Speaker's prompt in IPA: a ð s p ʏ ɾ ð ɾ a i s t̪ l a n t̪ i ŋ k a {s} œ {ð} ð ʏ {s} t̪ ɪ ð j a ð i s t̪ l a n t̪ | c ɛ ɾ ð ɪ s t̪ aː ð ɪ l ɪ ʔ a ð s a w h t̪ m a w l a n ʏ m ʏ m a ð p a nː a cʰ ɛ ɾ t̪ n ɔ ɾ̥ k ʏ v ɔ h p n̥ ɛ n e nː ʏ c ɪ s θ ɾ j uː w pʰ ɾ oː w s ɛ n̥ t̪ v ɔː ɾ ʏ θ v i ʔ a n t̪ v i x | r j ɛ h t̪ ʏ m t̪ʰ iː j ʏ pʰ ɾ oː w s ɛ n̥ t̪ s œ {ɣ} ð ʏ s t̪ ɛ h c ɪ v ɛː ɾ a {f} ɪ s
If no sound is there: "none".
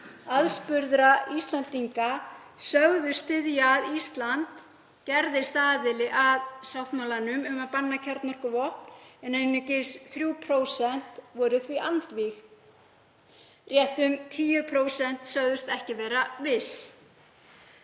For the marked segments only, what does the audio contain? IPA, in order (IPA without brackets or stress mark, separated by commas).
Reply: s, ɣ, s, ɣ, v